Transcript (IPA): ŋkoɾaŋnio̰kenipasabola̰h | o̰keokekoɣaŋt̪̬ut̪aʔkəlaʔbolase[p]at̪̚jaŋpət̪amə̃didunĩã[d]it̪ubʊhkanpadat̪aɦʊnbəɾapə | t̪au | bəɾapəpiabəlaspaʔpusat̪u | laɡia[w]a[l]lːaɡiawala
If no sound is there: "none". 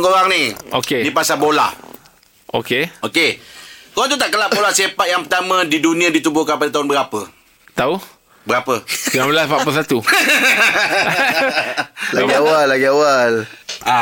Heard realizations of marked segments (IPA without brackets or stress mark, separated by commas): p, d, w, l